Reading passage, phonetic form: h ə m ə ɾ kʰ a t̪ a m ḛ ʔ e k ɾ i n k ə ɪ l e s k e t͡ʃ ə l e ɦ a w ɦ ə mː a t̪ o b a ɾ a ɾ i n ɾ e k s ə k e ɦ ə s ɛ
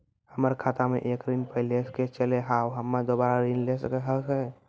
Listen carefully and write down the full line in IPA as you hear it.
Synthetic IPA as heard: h ə m ə ɾ kʰ a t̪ a m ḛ ʔ e k ɾ i n p ə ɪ l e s k e t͡ʃ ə l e ɦ a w ɦ ə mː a d̪ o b a ɾ a ɾ i n l e s ə k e ɦ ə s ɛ